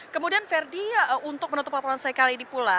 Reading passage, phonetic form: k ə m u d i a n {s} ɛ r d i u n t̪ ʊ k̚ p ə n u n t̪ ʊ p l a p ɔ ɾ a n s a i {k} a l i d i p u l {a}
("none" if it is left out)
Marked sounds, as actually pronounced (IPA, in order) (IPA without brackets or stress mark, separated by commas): f, k, a